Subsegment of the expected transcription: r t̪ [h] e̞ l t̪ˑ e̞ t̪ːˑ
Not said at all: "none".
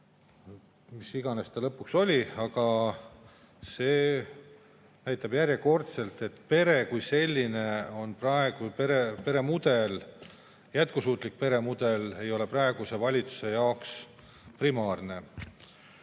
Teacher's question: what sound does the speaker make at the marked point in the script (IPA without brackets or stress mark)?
s